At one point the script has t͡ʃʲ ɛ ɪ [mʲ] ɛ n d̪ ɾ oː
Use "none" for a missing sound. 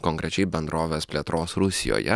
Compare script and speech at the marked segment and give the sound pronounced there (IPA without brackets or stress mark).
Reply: bʲ